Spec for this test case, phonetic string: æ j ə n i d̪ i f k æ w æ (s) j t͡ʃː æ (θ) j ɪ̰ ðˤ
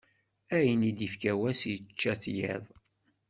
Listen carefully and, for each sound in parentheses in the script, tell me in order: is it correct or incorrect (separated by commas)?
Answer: correct, correct